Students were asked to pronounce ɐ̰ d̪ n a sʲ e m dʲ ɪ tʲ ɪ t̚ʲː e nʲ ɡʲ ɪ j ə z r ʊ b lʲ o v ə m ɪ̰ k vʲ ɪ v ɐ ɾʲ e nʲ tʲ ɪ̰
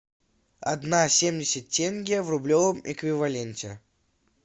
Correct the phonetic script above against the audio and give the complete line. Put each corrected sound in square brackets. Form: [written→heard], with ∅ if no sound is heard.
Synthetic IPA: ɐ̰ d̪ n a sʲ e m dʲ ɪ [tʲ→sʲ] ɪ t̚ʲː e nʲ ɡʲ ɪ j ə [z→v] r ʊ b lʲ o v ə m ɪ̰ k vʲ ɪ v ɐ [ɾʲ→lʲ] e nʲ tʲ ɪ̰